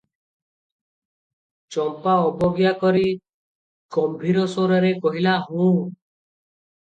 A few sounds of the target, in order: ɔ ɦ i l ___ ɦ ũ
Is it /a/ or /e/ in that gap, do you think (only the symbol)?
a